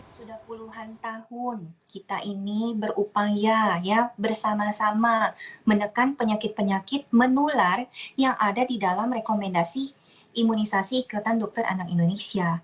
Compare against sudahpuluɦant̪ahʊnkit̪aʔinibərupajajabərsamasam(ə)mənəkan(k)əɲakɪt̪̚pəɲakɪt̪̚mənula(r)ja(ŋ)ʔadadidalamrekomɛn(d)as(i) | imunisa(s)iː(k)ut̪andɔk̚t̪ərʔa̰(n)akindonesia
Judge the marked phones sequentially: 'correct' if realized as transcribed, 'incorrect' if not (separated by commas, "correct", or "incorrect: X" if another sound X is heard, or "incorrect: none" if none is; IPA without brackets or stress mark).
incorrect: a, incorrect: p, correct, correct, correct, correct, correct, correct, correct